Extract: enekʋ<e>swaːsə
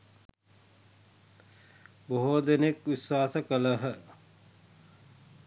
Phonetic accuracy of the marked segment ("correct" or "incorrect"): incorrect